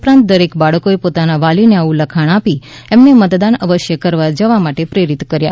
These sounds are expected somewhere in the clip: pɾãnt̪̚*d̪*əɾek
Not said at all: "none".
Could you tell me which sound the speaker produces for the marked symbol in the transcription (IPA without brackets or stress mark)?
d̪